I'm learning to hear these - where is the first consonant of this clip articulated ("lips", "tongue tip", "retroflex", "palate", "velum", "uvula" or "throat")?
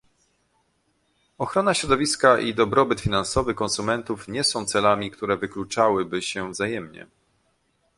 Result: velum